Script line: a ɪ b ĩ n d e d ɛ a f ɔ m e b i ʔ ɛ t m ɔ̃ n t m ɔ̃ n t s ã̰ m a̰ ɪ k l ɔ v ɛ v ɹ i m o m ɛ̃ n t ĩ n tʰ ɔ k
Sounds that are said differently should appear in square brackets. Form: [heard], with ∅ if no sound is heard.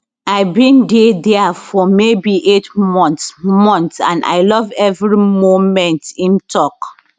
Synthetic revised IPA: a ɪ b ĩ n d e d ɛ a f ɔ m e b i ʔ [e] t m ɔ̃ n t m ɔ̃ n t s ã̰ [n] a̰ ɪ [∅] l ɔ v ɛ v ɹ i m o m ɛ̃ n t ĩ n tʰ ɔ k